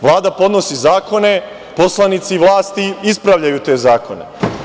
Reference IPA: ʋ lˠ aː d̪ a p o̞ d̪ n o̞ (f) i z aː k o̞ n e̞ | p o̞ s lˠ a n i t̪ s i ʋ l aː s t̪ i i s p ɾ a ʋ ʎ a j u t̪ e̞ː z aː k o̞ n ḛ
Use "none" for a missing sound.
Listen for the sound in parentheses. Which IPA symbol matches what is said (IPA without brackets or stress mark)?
s